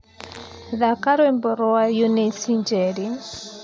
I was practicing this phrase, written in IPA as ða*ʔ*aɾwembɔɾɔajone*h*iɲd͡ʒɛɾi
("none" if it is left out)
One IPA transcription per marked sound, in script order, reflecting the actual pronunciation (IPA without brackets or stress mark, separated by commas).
k, s